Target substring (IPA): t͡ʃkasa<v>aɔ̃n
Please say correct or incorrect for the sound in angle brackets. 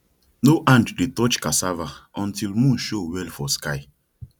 correct